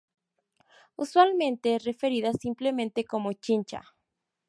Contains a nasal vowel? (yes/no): yes